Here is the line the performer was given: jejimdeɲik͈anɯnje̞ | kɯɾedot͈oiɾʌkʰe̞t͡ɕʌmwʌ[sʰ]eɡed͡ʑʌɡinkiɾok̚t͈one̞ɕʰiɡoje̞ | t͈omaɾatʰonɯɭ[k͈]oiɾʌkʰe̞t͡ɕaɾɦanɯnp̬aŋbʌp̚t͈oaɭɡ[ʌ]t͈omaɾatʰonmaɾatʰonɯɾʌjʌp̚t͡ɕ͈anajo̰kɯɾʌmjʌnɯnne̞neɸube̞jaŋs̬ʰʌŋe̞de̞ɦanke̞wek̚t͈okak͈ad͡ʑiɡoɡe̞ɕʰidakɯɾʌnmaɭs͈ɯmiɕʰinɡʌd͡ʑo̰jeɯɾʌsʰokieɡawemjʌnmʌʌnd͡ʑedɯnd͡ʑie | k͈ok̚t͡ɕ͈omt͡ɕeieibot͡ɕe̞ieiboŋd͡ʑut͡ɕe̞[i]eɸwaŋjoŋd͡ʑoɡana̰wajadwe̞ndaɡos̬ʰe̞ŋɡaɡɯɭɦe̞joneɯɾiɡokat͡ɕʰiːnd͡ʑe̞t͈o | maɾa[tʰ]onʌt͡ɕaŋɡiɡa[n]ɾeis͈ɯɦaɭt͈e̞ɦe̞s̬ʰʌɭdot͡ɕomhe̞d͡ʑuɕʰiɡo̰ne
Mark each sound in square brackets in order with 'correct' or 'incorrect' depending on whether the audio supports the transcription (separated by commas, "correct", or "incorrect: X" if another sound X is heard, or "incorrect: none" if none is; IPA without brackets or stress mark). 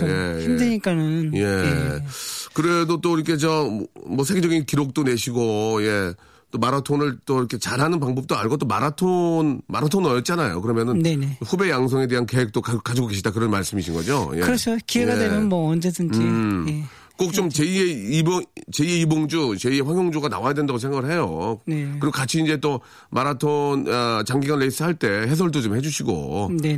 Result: correct, incorrect: t͈, correct, correct, correct, correct